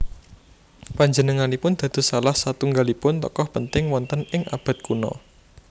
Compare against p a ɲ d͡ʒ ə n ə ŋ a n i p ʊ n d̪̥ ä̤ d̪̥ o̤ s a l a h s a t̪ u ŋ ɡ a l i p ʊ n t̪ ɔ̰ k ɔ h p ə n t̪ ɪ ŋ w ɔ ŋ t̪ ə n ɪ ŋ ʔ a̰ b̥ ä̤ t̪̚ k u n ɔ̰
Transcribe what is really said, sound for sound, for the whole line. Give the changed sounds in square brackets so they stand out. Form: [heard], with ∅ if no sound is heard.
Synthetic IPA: p a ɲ d͡ʒ ə n ə ŋ a n i p ʊ n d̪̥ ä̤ d̪̥ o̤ s a l a h s a t̪ u ŋ ɡ a l i p ʊ n t̪ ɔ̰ k ɔ h p ə n t̪ ɪ ŋ w ɔ [n] t̪ ə n ɪ ŋ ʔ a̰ b̥ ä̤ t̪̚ k u n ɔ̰

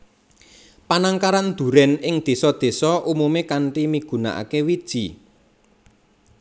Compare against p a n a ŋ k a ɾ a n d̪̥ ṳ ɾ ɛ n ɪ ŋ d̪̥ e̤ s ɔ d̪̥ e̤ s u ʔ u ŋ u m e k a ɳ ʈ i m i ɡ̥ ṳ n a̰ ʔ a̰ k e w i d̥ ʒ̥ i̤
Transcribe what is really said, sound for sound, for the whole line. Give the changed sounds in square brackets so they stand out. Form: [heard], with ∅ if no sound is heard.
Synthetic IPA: p a n a ŋ k a ɾ a n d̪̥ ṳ ɾ ɛ n ɪ ŋ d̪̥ e̤ s ɔ d̪̥ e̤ s [ɔ] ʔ u [m] u m e k a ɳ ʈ i m i ɡ̥ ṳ n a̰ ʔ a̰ k e w i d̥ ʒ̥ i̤

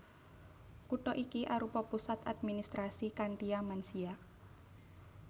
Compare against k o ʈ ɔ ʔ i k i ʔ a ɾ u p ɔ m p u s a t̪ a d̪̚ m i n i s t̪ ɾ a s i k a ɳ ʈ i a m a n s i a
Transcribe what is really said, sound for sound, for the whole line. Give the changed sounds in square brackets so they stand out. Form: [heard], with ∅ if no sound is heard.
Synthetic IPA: k [u] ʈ ɔ ʔ i k i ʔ a ɾ u p ɔ [∅] p u s a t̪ a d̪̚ m i n i s t̪ ɾ a s i k a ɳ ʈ i a m a n s i a

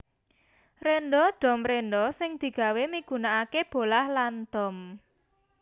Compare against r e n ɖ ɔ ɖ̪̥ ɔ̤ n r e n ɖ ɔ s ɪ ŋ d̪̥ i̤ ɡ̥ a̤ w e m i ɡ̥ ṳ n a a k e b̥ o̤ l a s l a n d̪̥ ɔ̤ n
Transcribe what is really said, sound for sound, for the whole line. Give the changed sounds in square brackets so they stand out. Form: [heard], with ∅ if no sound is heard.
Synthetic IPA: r e n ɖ ɔ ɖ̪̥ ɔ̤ [m] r e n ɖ ɔ s ɪ ŋ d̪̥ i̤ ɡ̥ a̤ w e m i ɡ̥ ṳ n a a k e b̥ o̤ l a [h] l a n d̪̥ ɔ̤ [m]

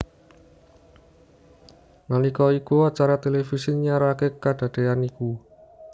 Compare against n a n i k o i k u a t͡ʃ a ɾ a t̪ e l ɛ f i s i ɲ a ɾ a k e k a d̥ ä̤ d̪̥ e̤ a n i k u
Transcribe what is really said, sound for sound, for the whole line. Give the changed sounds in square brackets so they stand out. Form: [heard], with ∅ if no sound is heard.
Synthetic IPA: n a n i k [ɔ] i k u a t͡ʃ a ɾ a t̪ e l [e] f i s i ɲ a ɾ a k e k a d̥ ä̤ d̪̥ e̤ a n i k u

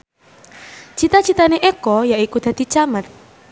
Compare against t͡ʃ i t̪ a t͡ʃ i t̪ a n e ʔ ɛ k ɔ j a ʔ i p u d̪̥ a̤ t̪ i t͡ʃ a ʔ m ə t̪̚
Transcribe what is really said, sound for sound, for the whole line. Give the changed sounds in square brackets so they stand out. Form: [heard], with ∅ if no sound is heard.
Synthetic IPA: t͡ʃ i t̪ a t͡ʃ i t̪ a n e ʔ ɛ k ɔ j a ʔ i [k] u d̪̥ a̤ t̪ i t͡ʃ a [∅] m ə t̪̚

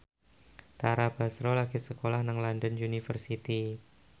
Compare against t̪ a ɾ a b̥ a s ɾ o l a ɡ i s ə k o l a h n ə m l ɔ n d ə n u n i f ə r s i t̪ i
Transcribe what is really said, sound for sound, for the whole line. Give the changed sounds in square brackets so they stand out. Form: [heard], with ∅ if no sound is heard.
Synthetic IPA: t̪ a ɾ a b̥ a s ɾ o l a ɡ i s ə k o l a h n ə [ŋ] l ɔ n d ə n u n i f ə r s i t̪ i

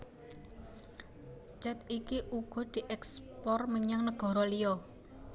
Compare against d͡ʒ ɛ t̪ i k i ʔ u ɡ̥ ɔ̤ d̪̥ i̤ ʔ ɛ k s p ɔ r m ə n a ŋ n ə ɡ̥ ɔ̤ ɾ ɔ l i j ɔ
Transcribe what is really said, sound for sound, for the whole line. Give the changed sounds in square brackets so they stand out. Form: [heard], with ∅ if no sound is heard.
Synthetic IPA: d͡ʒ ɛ t̪ i k i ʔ u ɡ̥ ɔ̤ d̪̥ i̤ ʔ ɛ k s p ɔ r m ə [ɲ] a ŋ n ə ɡ̥ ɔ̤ ɾ ɔ l i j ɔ

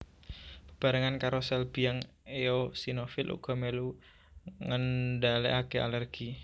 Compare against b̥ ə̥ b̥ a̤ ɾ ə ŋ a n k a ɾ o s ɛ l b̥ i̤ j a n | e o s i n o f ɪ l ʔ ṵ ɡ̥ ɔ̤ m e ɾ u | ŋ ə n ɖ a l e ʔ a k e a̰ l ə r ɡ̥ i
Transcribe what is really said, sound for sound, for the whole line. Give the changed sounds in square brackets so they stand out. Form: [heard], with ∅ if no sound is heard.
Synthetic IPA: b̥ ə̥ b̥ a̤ ɾ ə ŋ a n k a ɾ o s ɛ l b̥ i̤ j a [ŋ] | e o s i n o f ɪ l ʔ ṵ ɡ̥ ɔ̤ m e [l] u | ŋ ə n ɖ a l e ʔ a k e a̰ l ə r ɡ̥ i

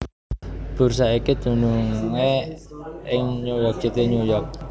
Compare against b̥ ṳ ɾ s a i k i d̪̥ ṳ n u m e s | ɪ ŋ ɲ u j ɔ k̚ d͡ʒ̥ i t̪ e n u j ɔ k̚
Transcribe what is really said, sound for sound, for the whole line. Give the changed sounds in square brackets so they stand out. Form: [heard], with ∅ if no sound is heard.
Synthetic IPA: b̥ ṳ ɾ s a i k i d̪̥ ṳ n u [ŋ] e [∅] | ɪ ŋ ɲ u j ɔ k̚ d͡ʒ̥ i t̪ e [ɲ] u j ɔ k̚

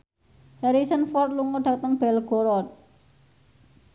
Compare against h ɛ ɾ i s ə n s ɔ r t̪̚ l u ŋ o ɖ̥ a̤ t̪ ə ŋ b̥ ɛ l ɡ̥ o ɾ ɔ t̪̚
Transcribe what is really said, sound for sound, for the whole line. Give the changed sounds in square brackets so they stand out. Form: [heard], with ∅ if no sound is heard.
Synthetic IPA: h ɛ ɾ i s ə n [f] ɔ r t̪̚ l u ŋ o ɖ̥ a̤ t̪ ə ŋ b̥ ɛ l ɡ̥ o ɾ ɔ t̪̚

